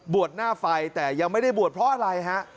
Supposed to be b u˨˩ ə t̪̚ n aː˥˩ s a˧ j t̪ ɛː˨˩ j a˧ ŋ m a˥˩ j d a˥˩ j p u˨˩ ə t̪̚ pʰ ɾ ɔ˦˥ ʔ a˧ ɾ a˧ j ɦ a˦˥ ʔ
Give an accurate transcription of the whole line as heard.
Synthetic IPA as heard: b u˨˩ ə t̪̚ n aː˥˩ f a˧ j t̪ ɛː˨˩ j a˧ ŋ m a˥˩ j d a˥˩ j b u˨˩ ə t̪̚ pʰ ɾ ɔ˦˥ ʔ a˧ ɾ a˧ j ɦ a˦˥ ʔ